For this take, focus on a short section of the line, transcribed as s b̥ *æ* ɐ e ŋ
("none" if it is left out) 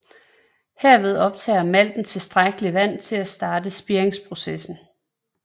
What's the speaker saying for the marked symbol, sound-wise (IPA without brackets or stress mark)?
i